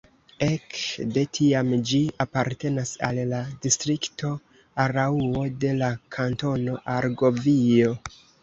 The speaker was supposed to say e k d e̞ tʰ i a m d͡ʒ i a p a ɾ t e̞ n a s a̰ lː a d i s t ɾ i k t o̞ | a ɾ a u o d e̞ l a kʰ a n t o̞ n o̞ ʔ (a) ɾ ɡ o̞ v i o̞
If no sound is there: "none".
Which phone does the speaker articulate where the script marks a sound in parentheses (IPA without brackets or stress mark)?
a